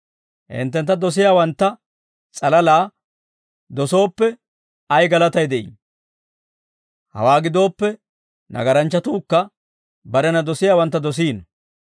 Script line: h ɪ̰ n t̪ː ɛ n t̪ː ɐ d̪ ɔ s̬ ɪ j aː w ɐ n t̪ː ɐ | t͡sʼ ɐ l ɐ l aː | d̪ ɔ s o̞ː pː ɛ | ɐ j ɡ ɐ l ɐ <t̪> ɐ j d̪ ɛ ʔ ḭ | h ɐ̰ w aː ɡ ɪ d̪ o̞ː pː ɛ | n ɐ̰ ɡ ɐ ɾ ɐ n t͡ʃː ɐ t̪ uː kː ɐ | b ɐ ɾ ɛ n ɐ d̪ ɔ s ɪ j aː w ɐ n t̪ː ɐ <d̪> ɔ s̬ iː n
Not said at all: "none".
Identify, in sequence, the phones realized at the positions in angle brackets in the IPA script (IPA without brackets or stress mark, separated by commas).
t̪, d̪